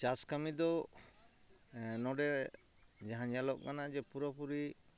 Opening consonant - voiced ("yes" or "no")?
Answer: no